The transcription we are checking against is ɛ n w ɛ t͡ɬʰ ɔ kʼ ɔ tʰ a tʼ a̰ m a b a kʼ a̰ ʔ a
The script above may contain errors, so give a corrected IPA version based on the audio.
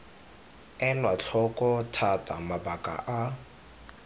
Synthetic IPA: ɛ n w a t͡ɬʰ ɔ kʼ ɔ tʰ a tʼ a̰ m a b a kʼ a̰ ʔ a